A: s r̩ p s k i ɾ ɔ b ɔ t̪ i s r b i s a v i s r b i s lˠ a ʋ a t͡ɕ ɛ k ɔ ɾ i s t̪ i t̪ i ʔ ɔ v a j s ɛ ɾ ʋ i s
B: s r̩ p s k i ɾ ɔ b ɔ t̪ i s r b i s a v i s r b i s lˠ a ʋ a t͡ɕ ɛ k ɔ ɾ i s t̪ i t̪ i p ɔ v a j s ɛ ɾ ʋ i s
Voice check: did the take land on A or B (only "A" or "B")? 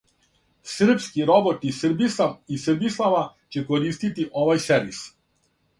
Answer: A